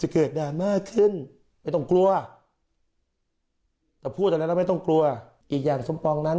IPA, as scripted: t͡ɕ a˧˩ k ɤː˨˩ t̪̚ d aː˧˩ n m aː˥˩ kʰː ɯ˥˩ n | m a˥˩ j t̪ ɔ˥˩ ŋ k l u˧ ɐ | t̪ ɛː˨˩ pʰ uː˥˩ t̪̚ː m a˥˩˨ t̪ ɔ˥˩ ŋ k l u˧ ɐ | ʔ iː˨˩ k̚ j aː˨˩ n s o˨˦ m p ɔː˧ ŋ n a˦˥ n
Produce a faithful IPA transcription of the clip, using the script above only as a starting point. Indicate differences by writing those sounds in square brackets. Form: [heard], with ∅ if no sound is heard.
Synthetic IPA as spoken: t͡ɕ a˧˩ k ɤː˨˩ t̪̚ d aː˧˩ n m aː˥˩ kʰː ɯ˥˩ n | m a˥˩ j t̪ ɔ˥˩ ŋ k l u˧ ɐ | t̪ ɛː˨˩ pʰ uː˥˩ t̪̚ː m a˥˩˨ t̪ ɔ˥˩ ŋ k l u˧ ɐ | ʔ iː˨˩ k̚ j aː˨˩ [ŋ] s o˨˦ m p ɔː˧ ŋ n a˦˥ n